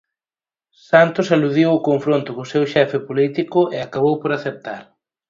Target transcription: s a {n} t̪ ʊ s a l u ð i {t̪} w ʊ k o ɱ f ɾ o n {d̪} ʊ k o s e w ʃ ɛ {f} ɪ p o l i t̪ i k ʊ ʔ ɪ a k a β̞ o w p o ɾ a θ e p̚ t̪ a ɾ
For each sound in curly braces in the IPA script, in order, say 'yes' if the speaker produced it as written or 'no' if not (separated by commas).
yes, no, no, yes